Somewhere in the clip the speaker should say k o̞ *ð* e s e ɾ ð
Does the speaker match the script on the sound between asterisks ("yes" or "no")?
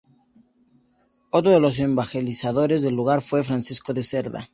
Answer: yes